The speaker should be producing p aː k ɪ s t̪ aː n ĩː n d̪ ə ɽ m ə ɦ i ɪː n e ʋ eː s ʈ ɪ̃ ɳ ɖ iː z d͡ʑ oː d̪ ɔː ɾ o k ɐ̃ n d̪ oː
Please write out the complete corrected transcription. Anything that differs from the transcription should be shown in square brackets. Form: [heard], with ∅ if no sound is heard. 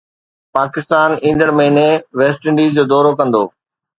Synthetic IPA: p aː k ɪ s t̪ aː n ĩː n d̪ ə ɽ m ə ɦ i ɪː n e ʋ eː s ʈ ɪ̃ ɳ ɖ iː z d͡ʑ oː d̪ ɔː ɾ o k ɐ̃ n d̪ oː